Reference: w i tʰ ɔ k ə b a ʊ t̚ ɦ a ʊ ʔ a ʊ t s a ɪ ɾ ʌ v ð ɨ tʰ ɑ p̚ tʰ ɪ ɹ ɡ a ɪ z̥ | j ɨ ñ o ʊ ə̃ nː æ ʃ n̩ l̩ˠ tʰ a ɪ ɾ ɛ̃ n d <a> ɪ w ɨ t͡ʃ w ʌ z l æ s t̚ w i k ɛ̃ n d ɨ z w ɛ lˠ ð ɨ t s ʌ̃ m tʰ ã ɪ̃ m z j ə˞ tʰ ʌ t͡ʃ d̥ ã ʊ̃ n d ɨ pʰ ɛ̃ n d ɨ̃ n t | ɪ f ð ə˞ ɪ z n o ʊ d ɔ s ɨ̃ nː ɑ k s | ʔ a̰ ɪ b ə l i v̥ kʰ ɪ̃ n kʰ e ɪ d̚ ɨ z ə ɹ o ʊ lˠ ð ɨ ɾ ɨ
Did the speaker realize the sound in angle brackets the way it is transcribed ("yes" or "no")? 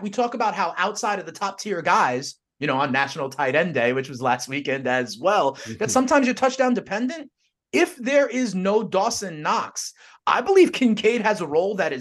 no